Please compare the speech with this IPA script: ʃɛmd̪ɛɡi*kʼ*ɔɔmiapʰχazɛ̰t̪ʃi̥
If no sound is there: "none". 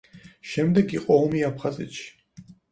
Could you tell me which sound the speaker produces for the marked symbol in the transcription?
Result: qʼ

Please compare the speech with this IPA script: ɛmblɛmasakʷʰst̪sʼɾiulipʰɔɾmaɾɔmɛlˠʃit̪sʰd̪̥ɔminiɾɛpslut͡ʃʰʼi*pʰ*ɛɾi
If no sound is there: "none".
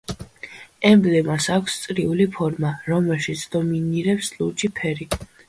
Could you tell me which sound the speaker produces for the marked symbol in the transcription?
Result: pʰ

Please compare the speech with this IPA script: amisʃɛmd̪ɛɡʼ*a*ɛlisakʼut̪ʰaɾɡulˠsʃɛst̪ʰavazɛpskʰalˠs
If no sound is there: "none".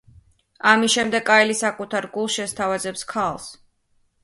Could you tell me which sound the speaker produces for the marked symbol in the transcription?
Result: a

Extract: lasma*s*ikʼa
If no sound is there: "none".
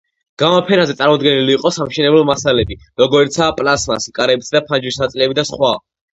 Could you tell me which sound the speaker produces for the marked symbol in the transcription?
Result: s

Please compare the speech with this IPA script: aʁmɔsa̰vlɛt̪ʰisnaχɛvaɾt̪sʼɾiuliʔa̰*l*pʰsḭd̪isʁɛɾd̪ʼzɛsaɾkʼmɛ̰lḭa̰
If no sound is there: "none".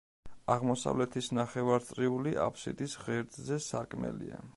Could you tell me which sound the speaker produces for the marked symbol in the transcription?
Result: none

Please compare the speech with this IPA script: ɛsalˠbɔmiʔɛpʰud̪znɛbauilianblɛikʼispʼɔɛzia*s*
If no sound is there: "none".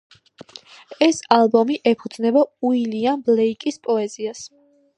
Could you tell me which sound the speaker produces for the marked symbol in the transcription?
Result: s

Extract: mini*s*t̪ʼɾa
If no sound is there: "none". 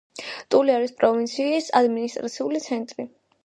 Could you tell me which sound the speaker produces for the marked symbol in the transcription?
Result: s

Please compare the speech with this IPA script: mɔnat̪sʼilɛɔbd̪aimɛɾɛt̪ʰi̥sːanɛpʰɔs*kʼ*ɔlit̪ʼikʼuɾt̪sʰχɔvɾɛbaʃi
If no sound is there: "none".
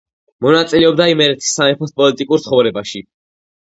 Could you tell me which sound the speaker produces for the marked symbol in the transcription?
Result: pʼ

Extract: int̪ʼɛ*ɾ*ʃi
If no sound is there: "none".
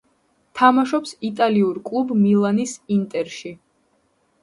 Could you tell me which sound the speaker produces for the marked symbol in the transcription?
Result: ɾ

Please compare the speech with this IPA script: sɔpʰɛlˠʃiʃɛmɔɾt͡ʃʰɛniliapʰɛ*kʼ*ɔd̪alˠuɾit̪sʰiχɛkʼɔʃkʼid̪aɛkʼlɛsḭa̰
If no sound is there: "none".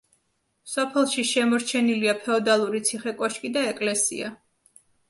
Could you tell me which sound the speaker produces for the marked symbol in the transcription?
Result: none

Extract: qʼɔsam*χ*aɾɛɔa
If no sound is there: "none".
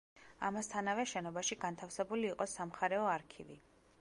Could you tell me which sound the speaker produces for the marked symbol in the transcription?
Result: χ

